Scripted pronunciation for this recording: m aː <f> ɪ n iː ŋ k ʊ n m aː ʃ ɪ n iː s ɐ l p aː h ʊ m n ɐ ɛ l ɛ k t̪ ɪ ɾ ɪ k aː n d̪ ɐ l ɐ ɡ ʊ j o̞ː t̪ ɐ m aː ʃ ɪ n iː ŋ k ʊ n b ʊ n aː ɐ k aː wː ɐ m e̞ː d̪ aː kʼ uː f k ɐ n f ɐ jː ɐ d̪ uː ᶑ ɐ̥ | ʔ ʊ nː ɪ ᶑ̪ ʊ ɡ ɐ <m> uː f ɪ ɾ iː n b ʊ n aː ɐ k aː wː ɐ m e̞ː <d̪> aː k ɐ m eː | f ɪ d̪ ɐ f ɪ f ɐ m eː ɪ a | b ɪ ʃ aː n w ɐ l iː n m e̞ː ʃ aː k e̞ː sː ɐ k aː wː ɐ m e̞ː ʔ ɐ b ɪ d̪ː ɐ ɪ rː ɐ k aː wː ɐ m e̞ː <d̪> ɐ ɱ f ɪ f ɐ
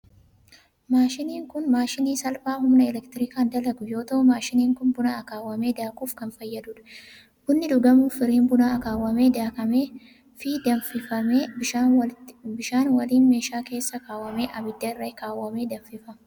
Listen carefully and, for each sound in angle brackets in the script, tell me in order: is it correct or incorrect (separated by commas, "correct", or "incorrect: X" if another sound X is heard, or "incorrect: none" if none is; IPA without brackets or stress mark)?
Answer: incorrect: ʃ, correct, correct, correct